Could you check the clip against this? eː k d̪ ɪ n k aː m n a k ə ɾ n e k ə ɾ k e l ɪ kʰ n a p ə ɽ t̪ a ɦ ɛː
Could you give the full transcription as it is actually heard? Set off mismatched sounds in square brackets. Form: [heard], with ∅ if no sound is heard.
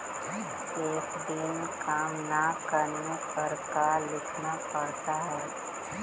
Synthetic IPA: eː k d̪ ɪ n k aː m n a k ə ɾ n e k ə ɾ k [a] l ɪ kʰ n a p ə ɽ t̪ a ɦ ɛː